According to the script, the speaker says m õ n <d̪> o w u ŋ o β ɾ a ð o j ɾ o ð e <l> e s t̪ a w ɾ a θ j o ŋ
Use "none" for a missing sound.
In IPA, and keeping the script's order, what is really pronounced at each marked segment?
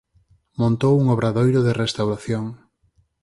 t̪, r

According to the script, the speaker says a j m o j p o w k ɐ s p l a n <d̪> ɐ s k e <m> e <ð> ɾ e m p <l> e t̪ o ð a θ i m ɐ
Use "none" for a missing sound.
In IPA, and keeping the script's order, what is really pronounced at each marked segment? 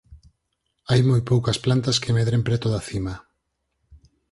t̪, m, ð, ɾ

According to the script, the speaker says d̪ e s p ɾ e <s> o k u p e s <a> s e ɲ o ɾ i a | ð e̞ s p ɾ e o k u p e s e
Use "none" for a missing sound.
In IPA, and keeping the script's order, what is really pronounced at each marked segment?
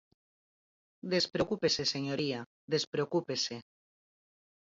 none, e

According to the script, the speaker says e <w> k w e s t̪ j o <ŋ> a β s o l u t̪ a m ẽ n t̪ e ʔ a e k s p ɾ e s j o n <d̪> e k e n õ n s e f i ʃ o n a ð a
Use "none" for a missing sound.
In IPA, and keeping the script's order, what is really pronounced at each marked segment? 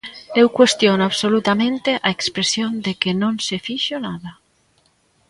w, n, d̪

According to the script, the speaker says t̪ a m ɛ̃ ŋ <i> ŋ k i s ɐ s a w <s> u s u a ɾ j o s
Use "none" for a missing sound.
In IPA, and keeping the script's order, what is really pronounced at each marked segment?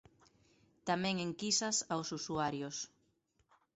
e, s

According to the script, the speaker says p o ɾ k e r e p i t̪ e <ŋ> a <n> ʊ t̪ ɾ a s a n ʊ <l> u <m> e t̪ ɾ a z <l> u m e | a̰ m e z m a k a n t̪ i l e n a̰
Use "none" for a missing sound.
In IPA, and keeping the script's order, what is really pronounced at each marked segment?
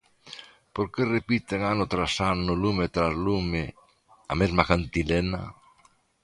ŋ, n, l, m, l

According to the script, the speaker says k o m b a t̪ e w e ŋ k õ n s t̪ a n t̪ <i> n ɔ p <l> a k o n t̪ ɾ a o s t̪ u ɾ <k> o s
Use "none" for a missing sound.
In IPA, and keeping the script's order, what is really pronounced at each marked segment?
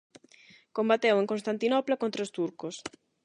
i, l, k

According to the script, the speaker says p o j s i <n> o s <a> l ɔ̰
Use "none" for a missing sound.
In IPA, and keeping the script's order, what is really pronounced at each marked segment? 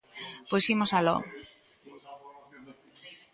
m, a

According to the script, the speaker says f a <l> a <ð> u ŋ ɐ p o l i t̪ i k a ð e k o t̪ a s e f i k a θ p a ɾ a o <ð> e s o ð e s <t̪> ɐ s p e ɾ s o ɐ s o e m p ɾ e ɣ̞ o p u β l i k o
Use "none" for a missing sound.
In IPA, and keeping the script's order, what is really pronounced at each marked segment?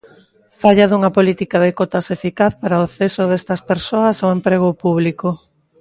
ʎ, ð, θ, t̪

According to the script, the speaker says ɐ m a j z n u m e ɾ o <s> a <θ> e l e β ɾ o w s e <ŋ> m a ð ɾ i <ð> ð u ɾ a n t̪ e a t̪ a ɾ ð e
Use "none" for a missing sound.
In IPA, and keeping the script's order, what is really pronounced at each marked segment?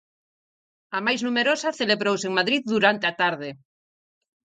s, θ, ŋ, ð

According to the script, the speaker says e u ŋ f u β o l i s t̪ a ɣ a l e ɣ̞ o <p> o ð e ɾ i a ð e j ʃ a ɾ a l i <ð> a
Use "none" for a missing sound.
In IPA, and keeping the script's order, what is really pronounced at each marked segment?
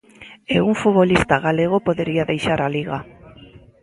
p, ɣ

